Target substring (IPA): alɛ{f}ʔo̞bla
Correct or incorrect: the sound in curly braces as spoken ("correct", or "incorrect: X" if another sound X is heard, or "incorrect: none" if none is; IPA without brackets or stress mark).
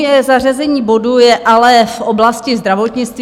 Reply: correct